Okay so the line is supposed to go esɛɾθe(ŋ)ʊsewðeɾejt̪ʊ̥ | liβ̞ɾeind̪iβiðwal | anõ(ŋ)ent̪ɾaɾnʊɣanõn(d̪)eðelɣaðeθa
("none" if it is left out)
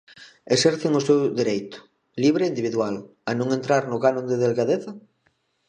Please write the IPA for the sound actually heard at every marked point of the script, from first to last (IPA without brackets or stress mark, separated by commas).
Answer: ŋ, ŋ, d̪